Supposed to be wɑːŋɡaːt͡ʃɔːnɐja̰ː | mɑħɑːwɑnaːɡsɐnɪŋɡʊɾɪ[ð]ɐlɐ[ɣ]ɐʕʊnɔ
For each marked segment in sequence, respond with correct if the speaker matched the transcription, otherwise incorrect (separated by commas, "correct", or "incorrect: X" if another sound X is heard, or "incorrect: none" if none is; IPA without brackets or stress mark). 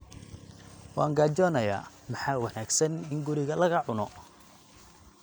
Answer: incorrect: ɣ, correct